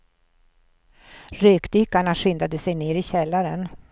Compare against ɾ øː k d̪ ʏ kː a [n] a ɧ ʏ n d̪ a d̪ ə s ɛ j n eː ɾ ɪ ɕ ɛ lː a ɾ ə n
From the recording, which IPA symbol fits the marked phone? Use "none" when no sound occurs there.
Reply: ɳ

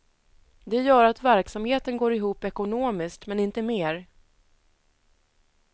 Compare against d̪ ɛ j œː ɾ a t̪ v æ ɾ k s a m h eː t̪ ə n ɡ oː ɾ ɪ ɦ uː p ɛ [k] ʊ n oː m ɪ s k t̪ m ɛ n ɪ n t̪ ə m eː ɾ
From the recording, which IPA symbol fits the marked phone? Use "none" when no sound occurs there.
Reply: k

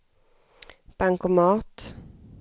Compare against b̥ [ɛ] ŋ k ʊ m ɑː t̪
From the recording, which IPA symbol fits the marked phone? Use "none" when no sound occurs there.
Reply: a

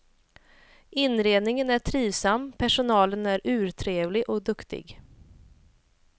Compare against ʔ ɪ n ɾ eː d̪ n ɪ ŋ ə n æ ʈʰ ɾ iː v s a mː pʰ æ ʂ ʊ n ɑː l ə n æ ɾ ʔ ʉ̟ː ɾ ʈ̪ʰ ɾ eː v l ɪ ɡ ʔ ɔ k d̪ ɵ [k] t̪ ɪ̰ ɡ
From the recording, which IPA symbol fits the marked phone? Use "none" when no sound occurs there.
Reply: k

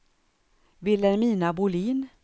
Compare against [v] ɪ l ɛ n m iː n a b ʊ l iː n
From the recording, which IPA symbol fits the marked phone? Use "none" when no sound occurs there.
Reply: v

